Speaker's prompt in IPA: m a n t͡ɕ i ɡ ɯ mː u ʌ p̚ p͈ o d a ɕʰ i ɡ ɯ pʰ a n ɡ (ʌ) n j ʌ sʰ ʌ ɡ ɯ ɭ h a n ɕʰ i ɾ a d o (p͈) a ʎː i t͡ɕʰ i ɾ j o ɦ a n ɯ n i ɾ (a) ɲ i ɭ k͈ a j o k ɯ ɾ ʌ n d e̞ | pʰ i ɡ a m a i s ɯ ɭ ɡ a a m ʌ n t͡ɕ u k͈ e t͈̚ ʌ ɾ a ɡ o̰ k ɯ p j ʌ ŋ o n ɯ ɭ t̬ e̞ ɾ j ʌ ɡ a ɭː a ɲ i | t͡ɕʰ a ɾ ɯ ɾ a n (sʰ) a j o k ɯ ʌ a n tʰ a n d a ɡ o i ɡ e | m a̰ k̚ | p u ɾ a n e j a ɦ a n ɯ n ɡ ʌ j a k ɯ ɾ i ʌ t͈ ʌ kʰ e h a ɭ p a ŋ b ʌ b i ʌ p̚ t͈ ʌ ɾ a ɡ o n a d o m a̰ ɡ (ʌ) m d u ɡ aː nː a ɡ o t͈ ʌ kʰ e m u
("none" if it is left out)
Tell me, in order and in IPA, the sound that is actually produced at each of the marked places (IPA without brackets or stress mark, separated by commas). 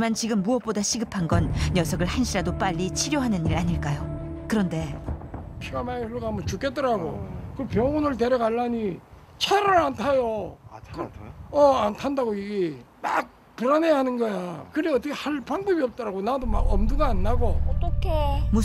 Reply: ʌ, p͈, a, tʰ, ʌ